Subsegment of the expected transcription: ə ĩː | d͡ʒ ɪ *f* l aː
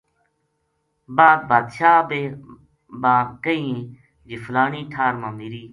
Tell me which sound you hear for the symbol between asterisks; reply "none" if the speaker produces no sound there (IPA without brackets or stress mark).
f